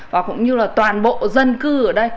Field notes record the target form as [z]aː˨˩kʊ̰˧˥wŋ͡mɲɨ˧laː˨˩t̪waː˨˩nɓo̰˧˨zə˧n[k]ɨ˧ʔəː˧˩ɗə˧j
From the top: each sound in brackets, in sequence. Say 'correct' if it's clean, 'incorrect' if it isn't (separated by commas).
incorrect, correct